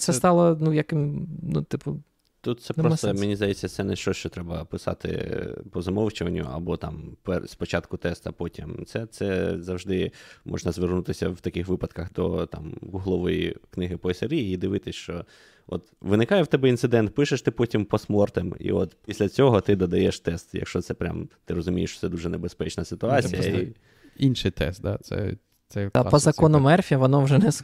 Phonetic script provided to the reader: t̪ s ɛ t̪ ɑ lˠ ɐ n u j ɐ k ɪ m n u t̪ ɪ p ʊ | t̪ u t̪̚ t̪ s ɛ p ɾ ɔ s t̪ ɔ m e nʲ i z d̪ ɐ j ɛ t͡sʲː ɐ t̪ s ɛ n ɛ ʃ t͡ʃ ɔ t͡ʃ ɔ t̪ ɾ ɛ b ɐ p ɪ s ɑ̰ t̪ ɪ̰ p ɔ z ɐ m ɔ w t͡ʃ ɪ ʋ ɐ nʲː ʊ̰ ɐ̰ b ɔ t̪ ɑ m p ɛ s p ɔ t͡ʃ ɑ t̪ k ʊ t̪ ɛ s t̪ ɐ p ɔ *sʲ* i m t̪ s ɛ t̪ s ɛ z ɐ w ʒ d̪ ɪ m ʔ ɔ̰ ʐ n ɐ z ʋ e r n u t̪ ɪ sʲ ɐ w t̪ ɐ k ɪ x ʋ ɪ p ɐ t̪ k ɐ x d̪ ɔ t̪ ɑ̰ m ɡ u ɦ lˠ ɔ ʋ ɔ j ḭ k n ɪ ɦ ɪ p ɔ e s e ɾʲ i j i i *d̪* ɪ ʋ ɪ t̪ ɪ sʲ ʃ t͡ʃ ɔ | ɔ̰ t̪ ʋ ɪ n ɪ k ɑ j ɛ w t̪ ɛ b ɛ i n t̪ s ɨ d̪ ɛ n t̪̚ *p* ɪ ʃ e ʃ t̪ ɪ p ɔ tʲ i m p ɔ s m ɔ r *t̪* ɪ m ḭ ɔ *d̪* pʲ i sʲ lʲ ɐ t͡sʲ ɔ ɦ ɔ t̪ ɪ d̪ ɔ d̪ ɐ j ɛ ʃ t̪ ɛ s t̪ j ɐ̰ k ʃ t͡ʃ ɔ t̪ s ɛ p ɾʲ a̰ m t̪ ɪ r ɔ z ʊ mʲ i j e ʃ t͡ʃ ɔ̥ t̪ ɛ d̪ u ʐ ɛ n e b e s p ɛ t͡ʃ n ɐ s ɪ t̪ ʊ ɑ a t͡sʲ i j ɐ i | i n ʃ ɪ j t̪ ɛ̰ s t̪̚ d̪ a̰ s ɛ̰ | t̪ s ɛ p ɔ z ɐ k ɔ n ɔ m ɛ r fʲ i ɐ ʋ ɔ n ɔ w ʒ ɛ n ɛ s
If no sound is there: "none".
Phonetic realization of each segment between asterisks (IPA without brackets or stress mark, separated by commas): tʲ, d̪, p, t̪, t̪